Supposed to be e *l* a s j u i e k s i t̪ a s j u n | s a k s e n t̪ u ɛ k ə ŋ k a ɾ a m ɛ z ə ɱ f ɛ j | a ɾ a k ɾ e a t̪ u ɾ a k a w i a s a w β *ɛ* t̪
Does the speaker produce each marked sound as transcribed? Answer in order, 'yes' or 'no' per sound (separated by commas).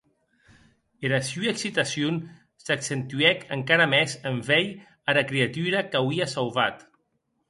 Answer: no, no